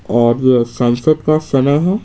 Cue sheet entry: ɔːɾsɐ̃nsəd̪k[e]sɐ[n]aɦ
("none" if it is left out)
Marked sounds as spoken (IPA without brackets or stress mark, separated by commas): a, n